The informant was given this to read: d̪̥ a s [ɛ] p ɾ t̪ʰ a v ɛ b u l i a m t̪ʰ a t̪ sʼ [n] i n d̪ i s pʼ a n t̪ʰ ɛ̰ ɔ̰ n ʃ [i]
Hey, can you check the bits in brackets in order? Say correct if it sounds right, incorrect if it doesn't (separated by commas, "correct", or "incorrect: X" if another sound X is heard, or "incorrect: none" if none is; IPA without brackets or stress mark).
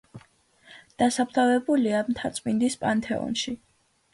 incorrect: a, incorrect: m, correct